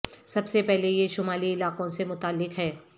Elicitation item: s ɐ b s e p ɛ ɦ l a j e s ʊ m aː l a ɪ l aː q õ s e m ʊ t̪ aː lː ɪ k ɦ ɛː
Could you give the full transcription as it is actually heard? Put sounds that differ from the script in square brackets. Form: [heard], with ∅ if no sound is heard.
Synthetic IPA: s ɐ b s e p ɛ ɦ l [e] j e [ʃ] ʊ m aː l [i] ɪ l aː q õ s e m ʊ t̪ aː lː ɪ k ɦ ɛː